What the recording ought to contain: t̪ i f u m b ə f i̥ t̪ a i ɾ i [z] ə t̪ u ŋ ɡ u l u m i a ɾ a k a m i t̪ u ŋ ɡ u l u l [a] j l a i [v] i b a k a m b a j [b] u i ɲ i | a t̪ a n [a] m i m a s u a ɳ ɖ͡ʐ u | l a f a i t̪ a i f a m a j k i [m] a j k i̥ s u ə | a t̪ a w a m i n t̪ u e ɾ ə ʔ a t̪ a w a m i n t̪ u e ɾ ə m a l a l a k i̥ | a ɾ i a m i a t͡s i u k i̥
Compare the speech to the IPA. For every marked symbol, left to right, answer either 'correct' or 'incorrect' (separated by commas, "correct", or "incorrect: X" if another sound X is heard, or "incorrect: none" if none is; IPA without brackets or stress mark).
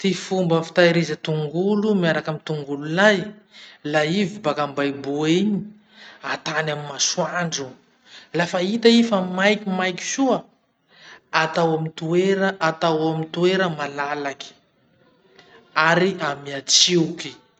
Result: correct, correct, correct, correct, correct, correct